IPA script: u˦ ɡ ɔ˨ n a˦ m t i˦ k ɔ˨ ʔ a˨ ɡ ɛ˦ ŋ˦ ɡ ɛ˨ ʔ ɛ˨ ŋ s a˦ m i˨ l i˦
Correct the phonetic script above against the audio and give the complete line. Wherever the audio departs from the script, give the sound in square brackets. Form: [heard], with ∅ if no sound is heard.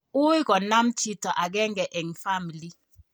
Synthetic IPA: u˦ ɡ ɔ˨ n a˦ m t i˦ [t] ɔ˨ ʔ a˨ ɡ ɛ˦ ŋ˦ ɡ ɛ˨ ʔ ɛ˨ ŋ [f] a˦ m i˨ l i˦